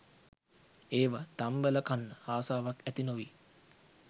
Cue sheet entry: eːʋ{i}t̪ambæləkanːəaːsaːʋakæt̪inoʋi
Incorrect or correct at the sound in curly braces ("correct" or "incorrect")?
incorrect